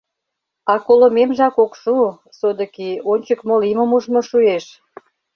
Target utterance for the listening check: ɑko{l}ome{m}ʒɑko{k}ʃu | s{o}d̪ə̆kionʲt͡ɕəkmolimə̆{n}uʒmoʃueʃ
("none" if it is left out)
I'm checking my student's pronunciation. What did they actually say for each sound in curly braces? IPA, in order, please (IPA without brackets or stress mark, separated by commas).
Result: l, m, k, o, m